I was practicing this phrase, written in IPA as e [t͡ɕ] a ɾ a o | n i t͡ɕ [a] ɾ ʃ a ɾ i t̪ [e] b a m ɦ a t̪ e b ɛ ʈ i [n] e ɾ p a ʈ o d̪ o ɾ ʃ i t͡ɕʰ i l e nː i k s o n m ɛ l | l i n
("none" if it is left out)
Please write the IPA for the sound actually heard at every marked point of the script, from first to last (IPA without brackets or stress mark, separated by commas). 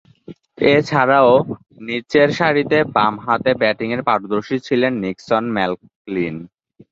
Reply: t͡ɕʰ, e, e, ŋ